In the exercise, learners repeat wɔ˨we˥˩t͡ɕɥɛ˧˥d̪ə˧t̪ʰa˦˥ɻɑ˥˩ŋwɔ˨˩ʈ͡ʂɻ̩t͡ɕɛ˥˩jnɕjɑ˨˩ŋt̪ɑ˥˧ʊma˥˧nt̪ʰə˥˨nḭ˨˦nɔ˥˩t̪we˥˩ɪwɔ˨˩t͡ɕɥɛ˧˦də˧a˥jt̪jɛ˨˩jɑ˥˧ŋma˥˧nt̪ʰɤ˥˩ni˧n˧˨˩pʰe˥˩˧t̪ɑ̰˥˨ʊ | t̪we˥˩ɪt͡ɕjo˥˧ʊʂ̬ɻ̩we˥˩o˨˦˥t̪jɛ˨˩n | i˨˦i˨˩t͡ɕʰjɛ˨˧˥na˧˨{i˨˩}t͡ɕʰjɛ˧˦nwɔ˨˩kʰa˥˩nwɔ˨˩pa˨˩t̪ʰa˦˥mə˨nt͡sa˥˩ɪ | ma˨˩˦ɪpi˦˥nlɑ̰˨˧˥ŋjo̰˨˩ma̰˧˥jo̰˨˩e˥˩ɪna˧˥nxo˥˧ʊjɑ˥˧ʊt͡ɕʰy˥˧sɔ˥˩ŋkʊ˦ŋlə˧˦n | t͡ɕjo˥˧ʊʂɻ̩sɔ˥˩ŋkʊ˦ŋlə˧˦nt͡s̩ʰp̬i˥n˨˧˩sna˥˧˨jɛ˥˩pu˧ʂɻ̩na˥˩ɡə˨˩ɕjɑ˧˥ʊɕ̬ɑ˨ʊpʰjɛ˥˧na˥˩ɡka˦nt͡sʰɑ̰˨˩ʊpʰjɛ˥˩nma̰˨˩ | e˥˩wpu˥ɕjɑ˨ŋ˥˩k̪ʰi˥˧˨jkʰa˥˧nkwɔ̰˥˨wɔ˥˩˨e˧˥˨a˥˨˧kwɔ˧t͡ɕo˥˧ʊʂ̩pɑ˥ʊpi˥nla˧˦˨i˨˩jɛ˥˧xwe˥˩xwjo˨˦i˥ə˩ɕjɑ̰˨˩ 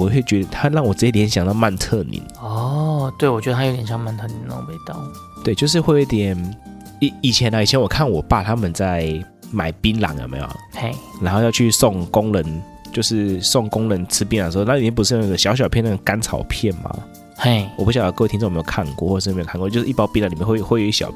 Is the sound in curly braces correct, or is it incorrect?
correct